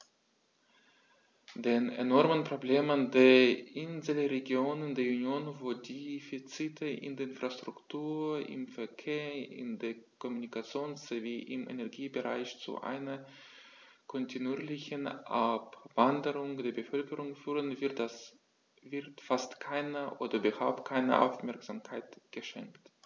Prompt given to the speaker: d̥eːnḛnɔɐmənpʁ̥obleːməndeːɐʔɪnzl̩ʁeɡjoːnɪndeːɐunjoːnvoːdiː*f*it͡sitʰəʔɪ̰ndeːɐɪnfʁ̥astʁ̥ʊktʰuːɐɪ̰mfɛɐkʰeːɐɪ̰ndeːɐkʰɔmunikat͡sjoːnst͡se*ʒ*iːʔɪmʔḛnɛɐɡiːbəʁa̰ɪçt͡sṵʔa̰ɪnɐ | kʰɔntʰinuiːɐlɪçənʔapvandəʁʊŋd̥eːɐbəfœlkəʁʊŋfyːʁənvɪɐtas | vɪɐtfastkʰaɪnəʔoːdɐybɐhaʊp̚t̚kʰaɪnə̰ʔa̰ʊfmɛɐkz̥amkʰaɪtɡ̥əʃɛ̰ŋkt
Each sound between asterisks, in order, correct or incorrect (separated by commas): correct, incorrect